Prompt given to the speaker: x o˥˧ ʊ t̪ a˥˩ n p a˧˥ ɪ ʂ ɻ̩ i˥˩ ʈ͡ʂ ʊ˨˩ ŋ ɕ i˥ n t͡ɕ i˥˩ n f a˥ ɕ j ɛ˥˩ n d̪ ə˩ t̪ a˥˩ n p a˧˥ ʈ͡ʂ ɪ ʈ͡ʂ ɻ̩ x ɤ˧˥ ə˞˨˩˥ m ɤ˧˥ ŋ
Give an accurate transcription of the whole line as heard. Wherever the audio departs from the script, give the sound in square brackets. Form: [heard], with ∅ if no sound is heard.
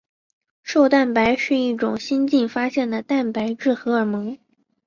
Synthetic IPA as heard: [ʂ] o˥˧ ʊ t̪ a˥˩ n p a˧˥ ɪ ʂ ɻ̩ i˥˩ ʈ͡ʂ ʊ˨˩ ŋ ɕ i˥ n t͡ɕ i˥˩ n f a˥ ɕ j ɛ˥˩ n d̪ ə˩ t̪ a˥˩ n p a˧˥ [∅] ɪ ʈ͡ʂ ɻ̩ x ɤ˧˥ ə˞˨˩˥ m ɤ˧˥ ŋ